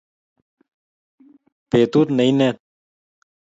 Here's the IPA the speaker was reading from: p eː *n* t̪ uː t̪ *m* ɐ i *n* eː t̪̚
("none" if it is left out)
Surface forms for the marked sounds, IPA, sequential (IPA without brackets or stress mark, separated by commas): none, n, n